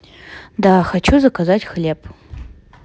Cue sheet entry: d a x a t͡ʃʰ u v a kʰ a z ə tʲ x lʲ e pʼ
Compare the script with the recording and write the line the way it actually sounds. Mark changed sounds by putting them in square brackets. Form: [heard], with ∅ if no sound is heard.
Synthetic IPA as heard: d a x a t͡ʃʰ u [z] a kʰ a z [a] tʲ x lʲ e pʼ